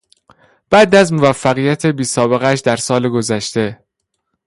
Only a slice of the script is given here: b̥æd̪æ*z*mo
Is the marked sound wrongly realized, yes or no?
no